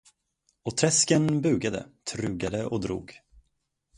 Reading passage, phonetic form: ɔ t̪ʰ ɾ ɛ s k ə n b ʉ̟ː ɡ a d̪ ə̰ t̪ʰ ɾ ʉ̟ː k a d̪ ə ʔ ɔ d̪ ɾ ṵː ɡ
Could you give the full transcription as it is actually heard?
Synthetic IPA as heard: ɔ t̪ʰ ɾ ɛ s k ə n b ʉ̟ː ɡ a d̪ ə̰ t̪ʰ ɾ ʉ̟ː ɡ a d̪ ə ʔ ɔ d̪ ɾ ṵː ɡ